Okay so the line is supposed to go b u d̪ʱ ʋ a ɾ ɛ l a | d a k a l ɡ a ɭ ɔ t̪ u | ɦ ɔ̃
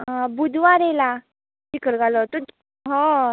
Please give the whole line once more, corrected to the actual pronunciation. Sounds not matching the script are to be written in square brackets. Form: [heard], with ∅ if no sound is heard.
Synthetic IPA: b u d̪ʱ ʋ a ɾ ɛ l a | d [i] k [ə] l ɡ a [l] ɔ t̪ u | ɦ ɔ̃

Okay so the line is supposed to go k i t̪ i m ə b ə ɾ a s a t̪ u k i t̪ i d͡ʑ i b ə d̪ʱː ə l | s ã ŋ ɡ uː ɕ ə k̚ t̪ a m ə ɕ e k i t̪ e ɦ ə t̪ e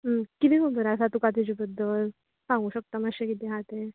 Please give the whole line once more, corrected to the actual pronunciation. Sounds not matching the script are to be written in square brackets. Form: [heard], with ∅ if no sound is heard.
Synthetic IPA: k i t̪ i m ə b ə ɾ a s a t̪ u k [a] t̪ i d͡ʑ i b ə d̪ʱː ə l | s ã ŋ ɡ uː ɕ ə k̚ t̪ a m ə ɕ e k i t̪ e ɦ [a] t̪ e

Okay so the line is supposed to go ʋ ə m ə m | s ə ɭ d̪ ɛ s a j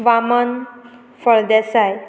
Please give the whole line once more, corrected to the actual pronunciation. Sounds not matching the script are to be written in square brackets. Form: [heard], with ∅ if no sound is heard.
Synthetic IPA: ʋ [a] m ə [n] | [f] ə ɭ d̪ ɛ s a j

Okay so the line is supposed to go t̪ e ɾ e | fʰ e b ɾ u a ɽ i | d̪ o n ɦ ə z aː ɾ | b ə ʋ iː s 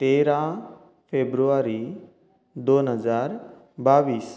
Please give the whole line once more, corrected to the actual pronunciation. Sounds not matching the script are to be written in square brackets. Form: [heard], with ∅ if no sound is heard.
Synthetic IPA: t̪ e ɾ [a] | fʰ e b ɾ u a [ɾ] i | d̪ o n ɦ ə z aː ɾ | b [a] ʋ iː s

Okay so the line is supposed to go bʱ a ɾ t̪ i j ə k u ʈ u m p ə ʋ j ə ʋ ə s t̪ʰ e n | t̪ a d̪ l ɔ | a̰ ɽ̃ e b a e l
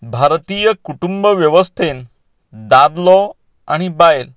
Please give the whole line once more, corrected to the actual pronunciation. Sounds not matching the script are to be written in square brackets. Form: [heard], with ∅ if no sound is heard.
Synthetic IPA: bʱ a ɾ t̪ i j ə k u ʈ u m [b] ə ʋ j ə ʋ ə s t̪ʰ e n | [d̪] a d̪ l ɔ | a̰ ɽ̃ [i] b a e l

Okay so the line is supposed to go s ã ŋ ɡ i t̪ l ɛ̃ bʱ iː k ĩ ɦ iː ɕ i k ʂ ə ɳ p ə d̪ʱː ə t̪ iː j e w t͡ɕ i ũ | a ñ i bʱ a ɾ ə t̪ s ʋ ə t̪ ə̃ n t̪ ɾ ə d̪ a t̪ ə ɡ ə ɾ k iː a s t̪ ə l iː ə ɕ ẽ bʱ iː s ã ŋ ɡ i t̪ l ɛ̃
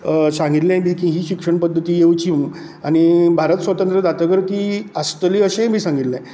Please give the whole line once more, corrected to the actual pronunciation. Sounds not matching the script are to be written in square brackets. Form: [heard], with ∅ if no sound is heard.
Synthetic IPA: s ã ŋ ɡ i t̪ l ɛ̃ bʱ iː k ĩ ɦ iː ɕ i k ʂ ə ɳ p ə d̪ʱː ə t̪ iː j e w t͡ɕ i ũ | a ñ i bʱ a ɾ ə t̪ s ʋ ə t̪ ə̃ n t̪ ɾ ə d̪ a t̪ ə ɡ ə ɾ k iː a s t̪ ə l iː ə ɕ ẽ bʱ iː s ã ŋ ɡ i t̪ l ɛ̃

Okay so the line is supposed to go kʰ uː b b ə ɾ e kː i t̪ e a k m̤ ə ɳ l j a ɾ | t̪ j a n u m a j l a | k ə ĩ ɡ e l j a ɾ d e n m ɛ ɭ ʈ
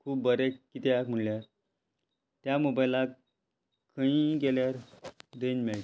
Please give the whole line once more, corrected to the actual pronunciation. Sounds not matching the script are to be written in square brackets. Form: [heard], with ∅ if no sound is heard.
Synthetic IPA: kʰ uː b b ə ɾ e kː i t̪ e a k m̤ ə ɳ l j a ɾ | t̪ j a [m] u [b] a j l a | k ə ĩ ɡ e l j a ɾ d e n m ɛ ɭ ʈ

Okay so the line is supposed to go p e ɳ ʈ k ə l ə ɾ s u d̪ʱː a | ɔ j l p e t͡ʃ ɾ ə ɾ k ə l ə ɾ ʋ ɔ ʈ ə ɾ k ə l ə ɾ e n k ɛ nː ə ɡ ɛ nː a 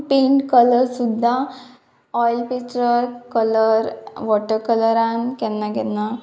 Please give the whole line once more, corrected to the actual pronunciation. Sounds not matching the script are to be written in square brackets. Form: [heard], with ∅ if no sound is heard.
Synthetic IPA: p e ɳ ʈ k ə l ə ɾ s u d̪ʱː a | ɔ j l p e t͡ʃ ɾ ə ɾ k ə l ə ɾ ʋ ɔ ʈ ə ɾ k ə l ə ɾ [a] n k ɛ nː [a] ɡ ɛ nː a

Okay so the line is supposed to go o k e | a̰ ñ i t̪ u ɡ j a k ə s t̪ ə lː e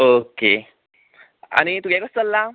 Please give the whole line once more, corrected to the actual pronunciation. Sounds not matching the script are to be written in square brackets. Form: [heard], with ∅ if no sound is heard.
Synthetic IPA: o k e | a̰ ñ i t̪ u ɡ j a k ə s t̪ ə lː [a]

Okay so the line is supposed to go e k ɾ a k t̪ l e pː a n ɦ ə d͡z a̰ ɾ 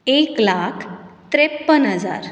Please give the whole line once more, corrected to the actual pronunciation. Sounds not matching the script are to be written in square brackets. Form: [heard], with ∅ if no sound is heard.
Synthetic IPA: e k [l] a [kʰ] t̪ [ɾ] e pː [ə] n ɦ ə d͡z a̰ ɾ

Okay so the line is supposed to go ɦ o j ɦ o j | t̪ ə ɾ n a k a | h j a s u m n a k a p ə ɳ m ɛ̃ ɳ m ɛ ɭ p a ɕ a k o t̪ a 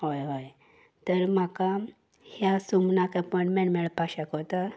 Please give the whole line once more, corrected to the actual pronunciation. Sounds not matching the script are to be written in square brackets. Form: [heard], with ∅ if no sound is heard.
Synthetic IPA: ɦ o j ɦ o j | t̪ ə ɾ [m] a k a | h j a s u m n a k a p ə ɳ m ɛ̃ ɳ m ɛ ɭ p a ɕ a k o t̪ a

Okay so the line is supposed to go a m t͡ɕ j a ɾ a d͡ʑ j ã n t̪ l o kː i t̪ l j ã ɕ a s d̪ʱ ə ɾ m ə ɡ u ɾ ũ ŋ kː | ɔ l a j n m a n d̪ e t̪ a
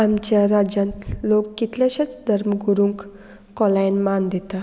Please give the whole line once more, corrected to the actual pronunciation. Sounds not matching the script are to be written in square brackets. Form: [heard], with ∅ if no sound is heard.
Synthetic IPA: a m t͡ɕ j a ɾ a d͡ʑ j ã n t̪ l o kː i t̪ l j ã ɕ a [t͡s] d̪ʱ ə ɾ m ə ɡ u ɾ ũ ŋ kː | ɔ l a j n m a n d̪ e t̪ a

